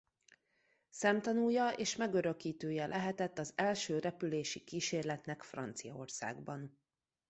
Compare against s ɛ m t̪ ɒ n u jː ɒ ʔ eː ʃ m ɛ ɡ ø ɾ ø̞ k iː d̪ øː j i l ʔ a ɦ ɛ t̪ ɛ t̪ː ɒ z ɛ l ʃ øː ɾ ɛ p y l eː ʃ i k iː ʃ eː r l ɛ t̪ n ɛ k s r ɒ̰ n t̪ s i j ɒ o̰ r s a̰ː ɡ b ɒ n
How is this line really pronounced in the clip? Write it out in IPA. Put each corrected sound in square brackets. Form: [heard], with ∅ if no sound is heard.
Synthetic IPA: s ɛ m t̪ ɒ n u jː ɒ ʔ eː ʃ m ɛ ɡ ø ɾ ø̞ k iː [t̪] øː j [ɛ] l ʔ [ɛ] ɦ ɛ t̪ ɛ t̪ː ɒ z ɛ l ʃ øː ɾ ɛ p y l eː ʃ i k iː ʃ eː r l ɛ t̪ n ɛ k [f] r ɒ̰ n t̪ s i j ɒ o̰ r s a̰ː ɡ b ɒ n